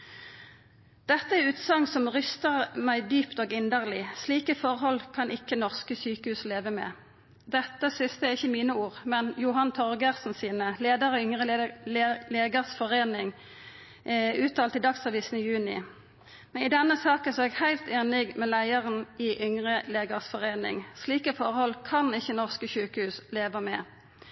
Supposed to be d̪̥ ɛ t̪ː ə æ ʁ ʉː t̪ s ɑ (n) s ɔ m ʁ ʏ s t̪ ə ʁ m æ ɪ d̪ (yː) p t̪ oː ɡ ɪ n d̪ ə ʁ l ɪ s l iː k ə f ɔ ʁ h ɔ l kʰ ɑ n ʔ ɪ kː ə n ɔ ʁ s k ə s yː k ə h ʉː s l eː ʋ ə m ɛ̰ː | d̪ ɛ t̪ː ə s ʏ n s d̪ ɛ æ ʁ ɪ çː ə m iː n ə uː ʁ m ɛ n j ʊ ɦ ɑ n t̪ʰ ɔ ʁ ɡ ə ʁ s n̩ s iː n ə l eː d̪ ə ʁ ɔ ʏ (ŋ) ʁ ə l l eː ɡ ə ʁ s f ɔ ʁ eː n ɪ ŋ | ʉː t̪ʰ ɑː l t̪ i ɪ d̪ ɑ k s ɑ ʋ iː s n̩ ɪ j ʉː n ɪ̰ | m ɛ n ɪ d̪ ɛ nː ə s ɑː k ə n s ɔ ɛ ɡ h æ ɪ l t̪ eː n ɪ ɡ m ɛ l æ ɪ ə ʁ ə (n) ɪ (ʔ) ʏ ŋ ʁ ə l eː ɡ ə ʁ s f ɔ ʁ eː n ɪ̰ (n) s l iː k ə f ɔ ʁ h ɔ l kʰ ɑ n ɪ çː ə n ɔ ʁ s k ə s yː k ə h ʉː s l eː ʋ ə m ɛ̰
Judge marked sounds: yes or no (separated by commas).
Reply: no, yes, yes, yes, yes, no